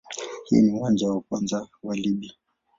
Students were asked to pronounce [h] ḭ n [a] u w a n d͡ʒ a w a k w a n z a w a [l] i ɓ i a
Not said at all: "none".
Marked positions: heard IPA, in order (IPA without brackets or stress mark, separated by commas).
h, i, l